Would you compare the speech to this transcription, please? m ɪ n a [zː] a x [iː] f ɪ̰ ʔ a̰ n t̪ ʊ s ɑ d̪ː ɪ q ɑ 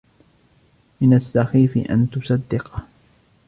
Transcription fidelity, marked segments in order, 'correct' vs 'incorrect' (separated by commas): incorrect, correct